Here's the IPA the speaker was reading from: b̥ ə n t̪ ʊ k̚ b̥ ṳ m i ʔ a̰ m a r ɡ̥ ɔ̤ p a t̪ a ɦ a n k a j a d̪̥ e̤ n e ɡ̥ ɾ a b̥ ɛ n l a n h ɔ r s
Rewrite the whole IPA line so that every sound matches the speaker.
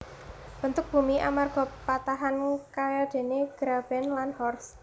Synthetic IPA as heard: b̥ ə n t̪ ʊ k̚ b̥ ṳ m i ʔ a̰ m a r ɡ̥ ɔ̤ p a t̪ a ɦ a n k a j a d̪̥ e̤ n e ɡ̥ ɾ a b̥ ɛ n l a n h ɔ r s